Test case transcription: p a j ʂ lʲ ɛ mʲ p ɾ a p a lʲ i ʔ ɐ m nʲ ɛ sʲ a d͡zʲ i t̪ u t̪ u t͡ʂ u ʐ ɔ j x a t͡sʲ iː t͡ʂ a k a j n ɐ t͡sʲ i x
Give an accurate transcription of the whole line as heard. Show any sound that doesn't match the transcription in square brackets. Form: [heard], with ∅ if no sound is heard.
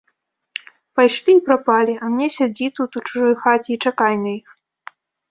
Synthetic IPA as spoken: p a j ʂ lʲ [i] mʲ p ɾ a p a lʲ i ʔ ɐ m nʲ ɛ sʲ a d͡zʲ i t̪ u t̪ u t͡ʂ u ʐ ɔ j x a t͡sʲ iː t͡ʂ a k a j n ɐ [∅] i x

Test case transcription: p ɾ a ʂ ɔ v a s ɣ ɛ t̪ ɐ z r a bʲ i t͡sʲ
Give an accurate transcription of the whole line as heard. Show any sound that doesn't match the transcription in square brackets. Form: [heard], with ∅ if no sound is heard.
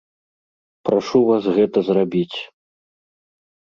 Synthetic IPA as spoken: p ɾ a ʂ [u] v a s ɣ ɛ t̪ ɐ z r a bʲ i t͡sʲ

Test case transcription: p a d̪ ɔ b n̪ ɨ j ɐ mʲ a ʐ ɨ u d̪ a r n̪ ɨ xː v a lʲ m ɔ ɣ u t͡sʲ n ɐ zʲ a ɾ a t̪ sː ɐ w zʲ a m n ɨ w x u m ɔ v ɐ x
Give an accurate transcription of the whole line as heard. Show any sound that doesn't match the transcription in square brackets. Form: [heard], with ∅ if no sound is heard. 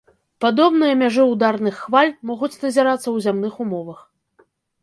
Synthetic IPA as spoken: p a d̪ ɔ b n̪ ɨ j ɐ mʲ a ʐ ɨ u d̪ a r n̪ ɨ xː v a lʲ m ɔ ɣ u t͡sʲ n ɐ zʲ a ɾ a t̪ sː ɐ w zʲ a m n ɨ [∅] x u m ɔ v ɐ x

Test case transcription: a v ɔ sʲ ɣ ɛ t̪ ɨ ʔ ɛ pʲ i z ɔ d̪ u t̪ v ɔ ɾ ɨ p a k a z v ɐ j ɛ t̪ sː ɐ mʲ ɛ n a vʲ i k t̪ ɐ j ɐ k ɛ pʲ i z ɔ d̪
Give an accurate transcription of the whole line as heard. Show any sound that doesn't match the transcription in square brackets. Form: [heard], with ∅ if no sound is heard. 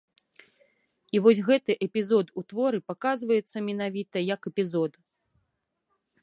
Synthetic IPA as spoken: [i] v ɔ sʲ ɣ ɛ t̪ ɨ ʔ ɛ pʲ i z ɔ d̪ u t̪ v ɔ ɾ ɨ p a k a z v ɐ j ɛ t̪ sː ɐ mʲ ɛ n a vʲ i [∅] t̪ ɐ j ɐ k ɛ pʲ i z ɔ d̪

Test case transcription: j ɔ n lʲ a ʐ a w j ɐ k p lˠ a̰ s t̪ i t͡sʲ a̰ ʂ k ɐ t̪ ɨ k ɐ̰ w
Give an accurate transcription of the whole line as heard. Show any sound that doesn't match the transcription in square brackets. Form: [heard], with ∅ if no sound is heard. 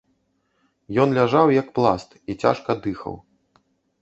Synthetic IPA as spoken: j ɔ n lʲ a ʐ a w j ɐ k p lˠ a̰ s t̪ i t͡sʲ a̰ ʂ k ɐ [d̪] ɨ [x] ɐ̰ w

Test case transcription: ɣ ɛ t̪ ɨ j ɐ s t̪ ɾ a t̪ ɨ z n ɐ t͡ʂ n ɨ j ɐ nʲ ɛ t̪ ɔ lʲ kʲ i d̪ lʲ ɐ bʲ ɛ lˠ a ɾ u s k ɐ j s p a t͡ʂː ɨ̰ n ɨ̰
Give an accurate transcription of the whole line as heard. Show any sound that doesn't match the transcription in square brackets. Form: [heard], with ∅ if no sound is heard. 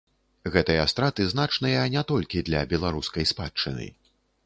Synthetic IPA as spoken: ɣ ɛ t̪ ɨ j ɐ s t̪ ɾ a t̪ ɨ z n [a] t͡ʂ n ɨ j ɐ nʲ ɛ t̪ ɔ lʲ kʲ i d̪ lʲ ɐ bʲ ɛ lˠ a ɾ u s k ɐ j s p a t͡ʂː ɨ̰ n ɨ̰

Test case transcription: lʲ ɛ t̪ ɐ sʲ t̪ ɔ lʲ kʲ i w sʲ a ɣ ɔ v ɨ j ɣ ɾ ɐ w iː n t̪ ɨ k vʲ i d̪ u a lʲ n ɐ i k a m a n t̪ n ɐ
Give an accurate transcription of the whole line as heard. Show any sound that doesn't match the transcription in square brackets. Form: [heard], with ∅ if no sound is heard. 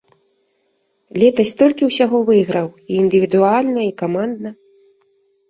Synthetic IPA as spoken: lʲ ɛ t̪ ɐ sʲ t̪ ɔ lʲ kʲ i w sʲ a ɣ ɔ v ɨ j ɣ ɾ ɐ w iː n [d̪] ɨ [∅] vʲ i d̪ u a lʲ n ɐ i k a m a n [d̪] n ɐ

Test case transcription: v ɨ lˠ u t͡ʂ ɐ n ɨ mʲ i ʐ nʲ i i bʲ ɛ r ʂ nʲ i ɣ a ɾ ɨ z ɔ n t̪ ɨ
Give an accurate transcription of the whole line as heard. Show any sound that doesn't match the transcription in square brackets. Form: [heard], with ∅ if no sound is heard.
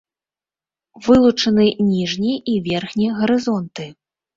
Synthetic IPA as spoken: v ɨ lˠ u t͡ʂ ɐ n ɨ [nʲ] i ʐ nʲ i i [vʲ] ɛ r [x] nʲ i ɣ [ɐ] ɾ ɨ z ɔ n t̪ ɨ

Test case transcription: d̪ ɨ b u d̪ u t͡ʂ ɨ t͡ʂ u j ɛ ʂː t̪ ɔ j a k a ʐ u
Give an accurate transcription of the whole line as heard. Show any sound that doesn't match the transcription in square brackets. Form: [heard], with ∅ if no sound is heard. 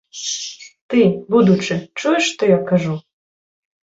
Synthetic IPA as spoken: [t̪] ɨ b u d̪ u t͡ʂ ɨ t͡ʂ u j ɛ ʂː t̪ ɔ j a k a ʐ u

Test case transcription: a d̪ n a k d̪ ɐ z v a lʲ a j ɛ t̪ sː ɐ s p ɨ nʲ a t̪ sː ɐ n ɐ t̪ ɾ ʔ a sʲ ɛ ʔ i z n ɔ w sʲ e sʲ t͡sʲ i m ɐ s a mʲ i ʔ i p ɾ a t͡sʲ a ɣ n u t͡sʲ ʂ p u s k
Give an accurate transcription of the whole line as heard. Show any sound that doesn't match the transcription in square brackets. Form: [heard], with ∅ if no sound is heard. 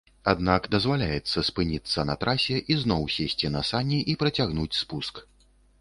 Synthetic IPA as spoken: a d̪ n a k d̪ ɐ z v a lʲ a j ɛ t̪ sː ɐ s p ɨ nʲ [i] t̪ sː ɐ n ɐ t̪ ɾ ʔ a sʲ ɛ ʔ i z n ɔ w sʲ e sʲ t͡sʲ i [n] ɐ s a [nʲ] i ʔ i p ɾ [ɐ] t͡sʲ a ɣ n u t͡sʲ [s] p u s k

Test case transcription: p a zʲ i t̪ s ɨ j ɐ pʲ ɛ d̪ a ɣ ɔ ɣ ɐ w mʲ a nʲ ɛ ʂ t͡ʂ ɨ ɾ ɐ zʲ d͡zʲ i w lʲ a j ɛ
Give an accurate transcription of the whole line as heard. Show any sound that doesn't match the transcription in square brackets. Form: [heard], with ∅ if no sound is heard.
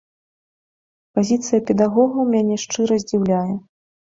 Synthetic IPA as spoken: p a zʲ i t̪ s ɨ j ɐ pʲ ɛ d̪ a ɣ ɔ ɣ ɐ w mʲ a nʲ ɛ ʂ t͡ʂ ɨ ɾ ɐ zʲ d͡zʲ i w lʲ a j ɛ

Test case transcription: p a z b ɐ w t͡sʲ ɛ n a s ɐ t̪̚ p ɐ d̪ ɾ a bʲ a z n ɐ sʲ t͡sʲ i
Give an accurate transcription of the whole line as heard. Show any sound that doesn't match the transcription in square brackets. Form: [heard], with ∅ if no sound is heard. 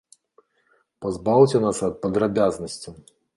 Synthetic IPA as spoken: p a z b [a] w t͡sʲ ɛ n a s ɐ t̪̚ p ɐ d̪ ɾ a bʲ a z n ɐ sʲ t͡sʲ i

